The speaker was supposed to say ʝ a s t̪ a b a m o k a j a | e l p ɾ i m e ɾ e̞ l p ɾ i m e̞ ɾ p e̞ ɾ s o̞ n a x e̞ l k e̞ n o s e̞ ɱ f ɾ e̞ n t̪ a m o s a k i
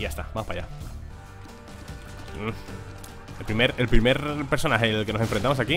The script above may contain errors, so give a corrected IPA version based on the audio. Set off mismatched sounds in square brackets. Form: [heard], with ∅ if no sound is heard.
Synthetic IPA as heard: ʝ a s t̪ a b a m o [p] a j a | e l p ɾ i m e ɾ e̞ l p ɾ i m e̞ ɾ p e̞ ɾ s o̞ n a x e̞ l k e̞ n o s e̞ ɱ f ɾ e̞ n t̪ a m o s a k i